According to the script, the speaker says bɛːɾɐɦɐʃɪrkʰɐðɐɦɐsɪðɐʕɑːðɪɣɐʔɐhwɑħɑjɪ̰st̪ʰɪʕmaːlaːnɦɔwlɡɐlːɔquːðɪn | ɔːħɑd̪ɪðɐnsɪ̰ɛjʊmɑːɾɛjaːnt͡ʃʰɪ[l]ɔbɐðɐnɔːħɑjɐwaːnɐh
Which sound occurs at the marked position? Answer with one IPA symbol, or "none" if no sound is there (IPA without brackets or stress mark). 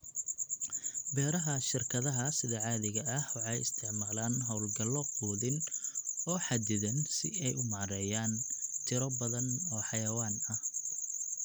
ɾ